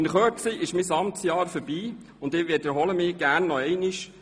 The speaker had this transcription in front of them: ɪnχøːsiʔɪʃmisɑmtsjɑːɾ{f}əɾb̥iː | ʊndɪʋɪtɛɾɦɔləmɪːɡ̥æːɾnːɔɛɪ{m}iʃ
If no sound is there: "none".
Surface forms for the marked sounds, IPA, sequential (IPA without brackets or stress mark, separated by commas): f, n